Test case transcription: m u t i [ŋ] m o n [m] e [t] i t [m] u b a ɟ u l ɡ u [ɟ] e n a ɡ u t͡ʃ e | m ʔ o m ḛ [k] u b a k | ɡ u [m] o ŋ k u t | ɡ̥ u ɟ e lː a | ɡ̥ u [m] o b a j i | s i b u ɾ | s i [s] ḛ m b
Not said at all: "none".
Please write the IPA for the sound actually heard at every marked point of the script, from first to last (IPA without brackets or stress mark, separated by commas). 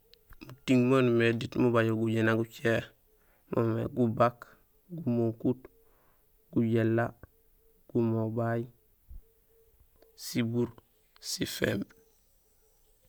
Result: ŋ, m, d, m, ɟ, ɡ, m, m, f